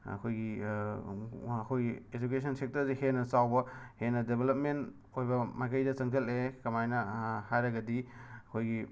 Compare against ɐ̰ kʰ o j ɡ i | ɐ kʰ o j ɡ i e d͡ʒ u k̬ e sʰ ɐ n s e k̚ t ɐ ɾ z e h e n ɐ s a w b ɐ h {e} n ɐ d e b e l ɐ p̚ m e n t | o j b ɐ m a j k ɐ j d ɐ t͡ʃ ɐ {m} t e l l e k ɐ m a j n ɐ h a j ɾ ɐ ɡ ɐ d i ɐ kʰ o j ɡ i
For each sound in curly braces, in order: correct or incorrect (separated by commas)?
correct, incorrect